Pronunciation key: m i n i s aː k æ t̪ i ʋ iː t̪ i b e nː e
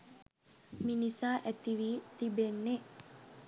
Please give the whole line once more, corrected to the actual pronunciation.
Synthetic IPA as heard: m i n i s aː ʔ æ t̪ i ʋ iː t̪ i b e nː e